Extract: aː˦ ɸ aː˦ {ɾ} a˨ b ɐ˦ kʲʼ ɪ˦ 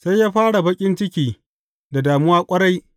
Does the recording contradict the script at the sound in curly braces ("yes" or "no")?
yes